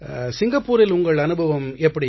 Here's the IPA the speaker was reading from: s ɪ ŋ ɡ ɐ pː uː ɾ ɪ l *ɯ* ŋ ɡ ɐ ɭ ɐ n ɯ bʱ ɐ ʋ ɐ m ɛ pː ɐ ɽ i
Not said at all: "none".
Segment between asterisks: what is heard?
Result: ʊ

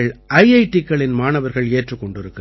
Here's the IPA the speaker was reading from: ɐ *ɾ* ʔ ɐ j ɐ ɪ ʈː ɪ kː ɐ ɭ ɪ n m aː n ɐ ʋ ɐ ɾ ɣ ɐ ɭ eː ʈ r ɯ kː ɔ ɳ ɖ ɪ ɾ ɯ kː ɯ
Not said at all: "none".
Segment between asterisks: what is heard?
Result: ɭ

